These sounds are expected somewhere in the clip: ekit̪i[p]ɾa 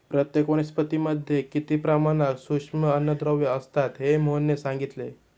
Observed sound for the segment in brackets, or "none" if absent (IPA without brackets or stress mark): p